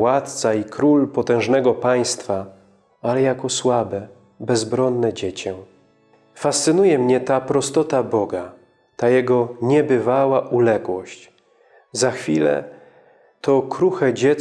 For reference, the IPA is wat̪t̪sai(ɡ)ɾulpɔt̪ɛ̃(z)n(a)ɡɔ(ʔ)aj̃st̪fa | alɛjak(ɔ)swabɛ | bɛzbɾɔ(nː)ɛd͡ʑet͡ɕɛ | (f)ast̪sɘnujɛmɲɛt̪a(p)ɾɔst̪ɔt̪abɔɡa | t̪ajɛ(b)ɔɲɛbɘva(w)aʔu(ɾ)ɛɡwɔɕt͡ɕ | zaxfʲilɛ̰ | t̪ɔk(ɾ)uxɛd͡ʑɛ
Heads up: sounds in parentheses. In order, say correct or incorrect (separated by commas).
incorrect, incorrect, incorrect, incorrect, correct, correct, correct, correct, incorrect, correct, incorrect, correct